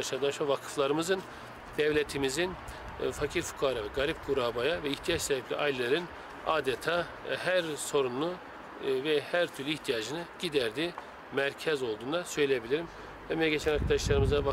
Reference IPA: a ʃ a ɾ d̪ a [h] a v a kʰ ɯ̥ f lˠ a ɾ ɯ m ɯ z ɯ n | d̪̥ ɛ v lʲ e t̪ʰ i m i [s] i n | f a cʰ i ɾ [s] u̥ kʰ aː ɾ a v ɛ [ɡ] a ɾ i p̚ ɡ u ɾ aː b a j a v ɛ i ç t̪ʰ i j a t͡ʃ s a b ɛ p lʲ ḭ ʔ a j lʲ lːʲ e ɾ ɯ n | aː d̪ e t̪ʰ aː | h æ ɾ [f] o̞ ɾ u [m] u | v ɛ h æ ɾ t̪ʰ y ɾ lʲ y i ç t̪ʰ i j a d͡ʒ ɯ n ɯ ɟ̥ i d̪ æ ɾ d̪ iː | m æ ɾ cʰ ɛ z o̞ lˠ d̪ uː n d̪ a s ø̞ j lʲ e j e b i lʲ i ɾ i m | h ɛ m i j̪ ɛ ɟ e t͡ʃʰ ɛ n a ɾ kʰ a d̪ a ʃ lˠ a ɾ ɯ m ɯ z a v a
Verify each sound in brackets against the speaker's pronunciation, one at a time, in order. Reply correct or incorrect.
incorrect, incorrect, incorrect, correct, incorrect, incorrect

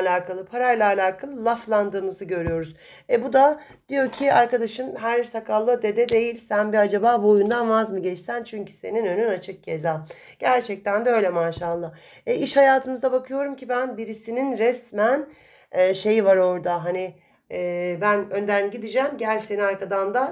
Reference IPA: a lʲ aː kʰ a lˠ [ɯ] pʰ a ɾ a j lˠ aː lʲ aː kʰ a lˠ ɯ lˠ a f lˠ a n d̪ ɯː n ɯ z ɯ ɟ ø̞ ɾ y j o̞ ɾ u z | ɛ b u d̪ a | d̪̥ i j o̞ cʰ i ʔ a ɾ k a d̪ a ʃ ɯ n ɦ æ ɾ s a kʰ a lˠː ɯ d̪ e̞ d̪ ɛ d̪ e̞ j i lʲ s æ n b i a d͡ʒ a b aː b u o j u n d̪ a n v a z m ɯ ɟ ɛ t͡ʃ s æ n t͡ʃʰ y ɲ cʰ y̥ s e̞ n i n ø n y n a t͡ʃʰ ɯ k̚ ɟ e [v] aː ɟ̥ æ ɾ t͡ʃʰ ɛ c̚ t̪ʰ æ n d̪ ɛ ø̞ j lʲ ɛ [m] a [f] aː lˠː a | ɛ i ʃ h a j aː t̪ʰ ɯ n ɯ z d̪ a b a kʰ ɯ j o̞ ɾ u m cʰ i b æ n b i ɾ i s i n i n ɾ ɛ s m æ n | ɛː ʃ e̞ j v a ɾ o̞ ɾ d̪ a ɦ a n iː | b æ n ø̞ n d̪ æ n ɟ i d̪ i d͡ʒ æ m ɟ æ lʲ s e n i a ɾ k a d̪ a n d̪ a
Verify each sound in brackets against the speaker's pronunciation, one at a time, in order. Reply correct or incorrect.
correct, incorrect, correct, incorrect

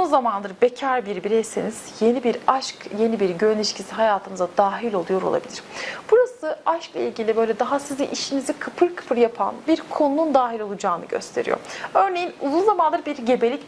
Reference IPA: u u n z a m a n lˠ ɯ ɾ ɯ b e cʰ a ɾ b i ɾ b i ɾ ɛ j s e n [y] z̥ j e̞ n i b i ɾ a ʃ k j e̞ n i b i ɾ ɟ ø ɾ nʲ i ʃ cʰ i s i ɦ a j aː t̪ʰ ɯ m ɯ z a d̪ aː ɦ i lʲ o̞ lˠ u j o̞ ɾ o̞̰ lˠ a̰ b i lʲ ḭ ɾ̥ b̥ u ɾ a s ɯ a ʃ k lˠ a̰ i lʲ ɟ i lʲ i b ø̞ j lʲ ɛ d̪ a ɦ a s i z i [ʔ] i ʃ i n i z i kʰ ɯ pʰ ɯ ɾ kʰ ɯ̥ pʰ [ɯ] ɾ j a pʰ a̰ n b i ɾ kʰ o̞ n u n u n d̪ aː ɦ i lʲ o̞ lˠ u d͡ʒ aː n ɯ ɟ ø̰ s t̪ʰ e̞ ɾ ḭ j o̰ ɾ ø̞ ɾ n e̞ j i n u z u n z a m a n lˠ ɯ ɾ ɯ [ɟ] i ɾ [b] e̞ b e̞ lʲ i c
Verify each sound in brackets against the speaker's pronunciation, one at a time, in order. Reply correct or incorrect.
incorrect, correct, correct, incorrect, incorrect

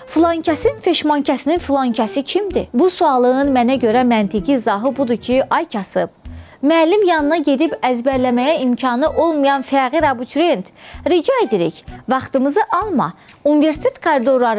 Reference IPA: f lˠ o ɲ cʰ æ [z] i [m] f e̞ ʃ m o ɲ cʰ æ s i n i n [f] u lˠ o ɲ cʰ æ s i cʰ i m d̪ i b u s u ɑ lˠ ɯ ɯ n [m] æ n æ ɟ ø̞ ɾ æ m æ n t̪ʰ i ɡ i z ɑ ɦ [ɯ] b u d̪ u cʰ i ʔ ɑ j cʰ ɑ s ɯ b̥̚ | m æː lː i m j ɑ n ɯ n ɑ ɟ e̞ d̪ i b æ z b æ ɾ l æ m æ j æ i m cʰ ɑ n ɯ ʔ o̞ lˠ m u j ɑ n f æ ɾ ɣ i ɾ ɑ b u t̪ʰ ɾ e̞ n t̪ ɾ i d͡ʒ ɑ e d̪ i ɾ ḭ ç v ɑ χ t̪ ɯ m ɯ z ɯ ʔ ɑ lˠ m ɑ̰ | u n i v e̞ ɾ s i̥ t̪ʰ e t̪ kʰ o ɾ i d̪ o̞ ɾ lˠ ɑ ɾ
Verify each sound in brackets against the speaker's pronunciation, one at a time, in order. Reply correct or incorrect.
incorrect, incorrect, correct, correct, correct

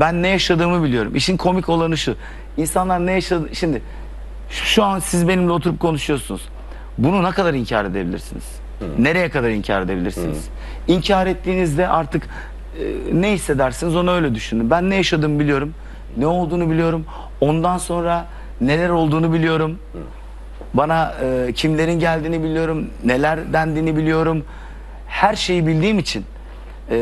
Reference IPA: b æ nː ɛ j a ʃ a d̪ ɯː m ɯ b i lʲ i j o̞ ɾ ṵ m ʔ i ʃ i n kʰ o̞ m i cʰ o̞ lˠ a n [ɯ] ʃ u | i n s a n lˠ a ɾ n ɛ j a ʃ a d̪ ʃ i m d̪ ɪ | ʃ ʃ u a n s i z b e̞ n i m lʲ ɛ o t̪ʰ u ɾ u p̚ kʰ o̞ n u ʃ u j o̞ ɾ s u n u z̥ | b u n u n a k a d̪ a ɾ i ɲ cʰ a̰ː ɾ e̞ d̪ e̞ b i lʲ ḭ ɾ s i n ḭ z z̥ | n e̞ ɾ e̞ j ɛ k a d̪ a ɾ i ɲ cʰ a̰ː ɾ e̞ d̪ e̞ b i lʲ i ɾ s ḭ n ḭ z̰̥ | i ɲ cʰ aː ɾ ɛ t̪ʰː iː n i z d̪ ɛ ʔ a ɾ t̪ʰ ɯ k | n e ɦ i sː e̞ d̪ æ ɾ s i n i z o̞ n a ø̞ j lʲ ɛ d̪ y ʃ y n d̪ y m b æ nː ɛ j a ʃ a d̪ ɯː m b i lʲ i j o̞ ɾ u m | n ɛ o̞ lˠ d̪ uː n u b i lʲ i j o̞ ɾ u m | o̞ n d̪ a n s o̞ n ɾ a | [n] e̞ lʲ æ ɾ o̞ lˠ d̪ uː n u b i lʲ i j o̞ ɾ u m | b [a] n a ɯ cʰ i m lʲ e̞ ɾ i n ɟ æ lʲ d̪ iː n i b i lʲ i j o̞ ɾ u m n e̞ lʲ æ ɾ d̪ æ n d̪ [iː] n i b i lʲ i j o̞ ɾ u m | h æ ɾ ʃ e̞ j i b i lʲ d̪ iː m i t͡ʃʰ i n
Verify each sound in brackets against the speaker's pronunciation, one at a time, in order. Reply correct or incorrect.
correct, correct, correct, correct

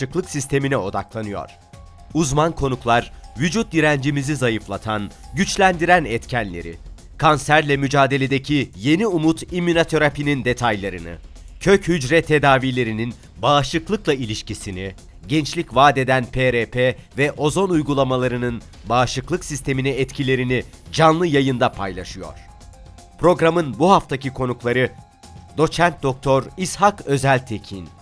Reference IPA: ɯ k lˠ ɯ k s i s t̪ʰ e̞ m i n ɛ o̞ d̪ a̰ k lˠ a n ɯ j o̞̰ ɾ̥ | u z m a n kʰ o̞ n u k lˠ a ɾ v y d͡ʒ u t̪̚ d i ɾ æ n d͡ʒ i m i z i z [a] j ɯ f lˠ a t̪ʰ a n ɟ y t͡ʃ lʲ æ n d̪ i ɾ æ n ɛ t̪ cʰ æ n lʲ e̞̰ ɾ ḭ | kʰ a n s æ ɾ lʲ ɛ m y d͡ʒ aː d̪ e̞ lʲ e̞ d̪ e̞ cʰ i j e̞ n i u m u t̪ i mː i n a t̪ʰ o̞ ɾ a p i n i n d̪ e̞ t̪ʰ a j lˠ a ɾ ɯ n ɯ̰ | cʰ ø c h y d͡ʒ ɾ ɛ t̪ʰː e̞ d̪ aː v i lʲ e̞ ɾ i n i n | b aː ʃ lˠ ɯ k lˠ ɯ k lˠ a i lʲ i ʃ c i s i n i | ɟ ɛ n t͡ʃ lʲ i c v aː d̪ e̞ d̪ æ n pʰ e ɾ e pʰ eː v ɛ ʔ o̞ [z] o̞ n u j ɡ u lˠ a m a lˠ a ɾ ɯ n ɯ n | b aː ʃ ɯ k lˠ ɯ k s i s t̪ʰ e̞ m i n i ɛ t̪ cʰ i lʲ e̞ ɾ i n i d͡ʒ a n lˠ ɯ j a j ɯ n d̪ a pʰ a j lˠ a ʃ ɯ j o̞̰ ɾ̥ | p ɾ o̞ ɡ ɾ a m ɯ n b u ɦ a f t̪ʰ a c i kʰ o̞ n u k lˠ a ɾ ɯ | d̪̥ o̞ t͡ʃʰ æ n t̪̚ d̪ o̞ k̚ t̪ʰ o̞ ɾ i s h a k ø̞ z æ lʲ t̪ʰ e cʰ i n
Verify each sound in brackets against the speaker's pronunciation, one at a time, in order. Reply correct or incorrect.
correct, correct

